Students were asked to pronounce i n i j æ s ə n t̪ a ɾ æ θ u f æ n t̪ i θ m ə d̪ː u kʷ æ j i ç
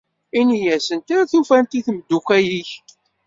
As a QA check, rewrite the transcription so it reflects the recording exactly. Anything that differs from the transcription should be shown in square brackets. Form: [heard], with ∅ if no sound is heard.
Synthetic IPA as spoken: i n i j æ s ə n t̪ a ɾ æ θ u f æ n t̪ i θ m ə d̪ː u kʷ æ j i ç